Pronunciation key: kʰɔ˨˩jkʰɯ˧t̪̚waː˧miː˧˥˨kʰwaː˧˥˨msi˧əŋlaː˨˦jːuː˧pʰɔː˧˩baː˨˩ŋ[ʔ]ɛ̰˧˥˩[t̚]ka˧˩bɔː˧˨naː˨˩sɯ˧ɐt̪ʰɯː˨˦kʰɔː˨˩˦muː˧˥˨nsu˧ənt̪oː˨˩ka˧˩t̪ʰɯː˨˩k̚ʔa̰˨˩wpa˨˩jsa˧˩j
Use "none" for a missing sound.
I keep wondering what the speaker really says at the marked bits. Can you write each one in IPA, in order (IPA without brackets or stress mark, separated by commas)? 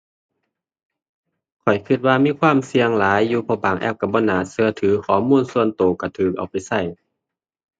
ʔ, p̚